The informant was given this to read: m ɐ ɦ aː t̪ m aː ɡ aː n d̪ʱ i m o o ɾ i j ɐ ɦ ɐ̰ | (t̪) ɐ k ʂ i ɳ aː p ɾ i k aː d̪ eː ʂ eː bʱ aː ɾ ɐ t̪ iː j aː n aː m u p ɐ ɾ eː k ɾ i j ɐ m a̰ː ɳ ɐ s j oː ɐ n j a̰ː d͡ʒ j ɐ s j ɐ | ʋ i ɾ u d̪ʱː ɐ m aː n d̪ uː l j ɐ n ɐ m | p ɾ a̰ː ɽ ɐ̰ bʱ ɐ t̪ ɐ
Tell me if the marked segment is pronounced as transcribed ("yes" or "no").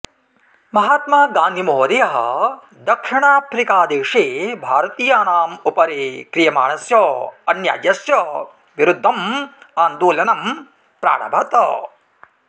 no